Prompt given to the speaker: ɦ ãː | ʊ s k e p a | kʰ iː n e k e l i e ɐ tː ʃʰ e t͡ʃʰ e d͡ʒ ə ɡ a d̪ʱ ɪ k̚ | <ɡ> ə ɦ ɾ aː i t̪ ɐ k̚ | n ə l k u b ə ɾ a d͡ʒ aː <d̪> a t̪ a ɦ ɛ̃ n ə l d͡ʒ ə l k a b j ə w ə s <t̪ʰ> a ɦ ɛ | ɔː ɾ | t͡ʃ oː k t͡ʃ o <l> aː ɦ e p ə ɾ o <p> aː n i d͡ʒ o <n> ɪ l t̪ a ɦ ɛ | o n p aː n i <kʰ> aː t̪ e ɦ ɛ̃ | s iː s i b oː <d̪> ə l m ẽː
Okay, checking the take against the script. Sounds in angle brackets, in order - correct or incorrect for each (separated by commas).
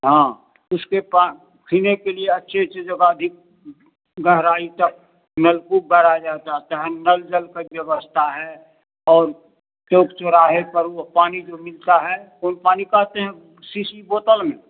correct, incorrect, correct, incorrect, correct, incorrect, incorrect, incorrect